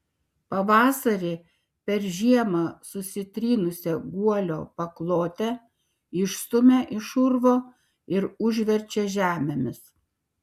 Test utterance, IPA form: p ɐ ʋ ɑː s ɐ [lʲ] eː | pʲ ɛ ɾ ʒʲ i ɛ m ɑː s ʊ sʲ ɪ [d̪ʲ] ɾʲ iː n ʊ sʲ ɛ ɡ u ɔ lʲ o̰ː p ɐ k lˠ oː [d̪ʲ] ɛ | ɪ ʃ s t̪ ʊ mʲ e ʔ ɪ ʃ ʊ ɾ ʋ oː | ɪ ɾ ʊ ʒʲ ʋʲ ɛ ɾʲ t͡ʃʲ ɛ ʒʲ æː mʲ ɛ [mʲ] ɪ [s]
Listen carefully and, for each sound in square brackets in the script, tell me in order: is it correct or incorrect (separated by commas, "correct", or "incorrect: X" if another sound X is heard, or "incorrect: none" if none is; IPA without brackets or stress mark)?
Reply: incorrect: ɾʲ, incorrect: t̪ʲ, incorrect: t̪ʲ, correct, correct